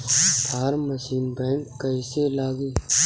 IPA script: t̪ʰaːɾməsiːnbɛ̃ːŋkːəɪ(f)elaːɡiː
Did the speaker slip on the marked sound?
yes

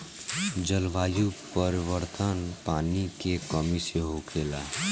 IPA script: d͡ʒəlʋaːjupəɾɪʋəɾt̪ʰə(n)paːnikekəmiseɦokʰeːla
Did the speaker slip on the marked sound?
no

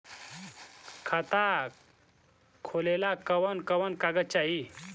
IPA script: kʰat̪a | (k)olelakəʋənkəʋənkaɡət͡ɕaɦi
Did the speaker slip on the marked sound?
yes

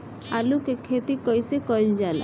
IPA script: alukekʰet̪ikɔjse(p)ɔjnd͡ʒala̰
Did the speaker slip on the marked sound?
yes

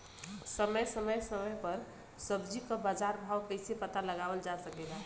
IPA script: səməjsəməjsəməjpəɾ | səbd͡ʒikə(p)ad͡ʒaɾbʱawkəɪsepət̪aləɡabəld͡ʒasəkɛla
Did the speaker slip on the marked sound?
yes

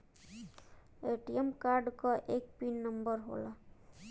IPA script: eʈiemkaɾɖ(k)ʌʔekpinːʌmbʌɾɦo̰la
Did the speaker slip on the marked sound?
no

